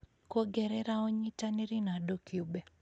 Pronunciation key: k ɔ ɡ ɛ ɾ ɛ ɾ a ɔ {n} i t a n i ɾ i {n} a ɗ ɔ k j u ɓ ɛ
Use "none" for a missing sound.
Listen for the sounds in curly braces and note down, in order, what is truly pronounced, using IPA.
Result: ɲ, n

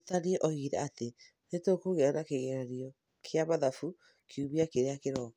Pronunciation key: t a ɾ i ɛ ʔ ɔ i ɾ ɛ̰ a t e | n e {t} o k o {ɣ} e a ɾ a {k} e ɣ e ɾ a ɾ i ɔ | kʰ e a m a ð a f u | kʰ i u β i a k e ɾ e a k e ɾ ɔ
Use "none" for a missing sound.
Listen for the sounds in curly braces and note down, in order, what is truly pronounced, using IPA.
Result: t, ɣ, k

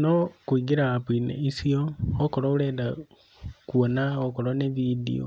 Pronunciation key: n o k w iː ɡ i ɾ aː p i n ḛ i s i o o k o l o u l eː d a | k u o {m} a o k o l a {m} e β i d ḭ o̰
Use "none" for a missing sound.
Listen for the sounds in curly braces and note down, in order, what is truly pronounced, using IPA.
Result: n, n

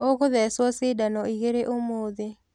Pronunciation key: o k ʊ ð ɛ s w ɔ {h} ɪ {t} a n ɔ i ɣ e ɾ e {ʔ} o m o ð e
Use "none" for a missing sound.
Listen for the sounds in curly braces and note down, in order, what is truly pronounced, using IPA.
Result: s, d, ʔ

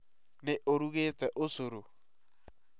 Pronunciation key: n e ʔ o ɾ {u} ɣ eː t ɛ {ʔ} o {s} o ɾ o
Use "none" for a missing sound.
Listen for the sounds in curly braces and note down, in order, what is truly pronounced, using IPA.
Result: u, ʔ, s

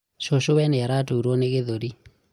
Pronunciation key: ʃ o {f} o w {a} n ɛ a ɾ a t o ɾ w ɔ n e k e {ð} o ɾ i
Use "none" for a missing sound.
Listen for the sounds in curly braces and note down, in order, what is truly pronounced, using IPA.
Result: ʃ, ɛ, ð

